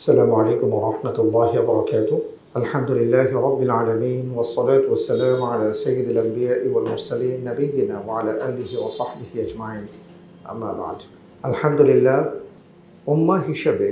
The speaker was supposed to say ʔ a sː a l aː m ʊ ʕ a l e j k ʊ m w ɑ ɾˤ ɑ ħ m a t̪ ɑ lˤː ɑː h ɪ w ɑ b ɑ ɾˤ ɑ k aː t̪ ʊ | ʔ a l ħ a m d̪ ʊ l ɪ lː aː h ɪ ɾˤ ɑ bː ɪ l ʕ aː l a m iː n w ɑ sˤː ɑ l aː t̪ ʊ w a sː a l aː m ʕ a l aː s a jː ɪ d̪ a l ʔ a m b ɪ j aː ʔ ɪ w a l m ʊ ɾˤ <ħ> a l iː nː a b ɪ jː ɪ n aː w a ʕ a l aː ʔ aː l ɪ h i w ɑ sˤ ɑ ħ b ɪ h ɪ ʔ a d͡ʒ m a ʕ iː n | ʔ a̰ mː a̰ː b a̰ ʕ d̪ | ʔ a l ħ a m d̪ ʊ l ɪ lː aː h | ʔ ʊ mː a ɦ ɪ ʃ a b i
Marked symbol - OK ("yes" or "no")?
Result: no